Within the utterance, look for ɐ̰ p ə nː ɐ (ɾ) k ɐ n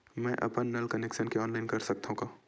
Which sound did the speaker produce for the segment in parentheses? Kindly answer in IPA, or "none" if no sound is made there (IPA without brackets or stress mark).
l